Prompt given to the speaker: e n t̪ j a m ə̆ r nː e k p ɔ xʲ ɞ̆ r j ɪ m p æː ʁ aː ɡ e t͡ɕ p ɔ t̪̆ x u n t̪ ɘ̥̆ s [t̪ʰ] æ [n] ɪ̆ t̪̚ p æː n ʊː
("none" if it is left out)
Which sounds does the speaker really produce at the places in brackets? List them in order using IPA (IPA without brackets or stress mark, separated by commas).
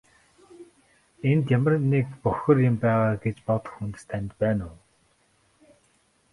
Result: t̪ʰ, n